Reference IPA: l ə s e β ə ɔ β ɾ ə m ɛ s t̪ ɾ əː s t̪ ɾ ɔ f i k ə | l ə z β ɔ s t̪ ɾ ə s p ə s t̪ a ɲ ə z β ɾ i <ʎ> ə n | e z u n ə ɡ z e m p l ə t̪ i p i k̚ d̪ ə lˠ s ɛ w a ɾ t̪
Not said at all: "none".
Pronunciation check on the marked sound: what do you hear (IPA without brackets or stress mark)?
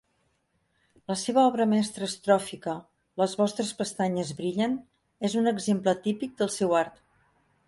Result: ʎ